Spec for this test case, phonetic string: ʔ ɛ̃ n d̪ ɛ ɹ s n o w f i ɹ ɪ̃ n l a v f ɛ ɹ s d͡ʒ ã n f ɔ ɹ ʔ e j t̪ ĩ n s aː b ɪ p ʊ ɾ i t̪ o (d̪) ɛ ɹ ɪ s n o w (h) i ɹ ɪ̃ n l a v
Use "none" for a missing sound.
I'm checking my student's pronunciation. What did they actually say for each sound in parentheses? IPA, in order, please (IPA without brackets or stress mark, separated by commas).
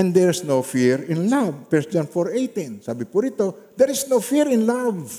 d̪, f